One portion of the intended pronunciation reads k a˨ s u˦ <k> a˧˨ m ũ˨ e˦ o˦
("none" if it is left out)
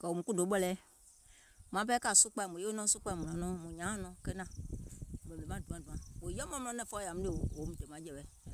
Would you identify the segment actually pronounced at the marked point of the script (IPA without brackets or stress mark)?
k͡p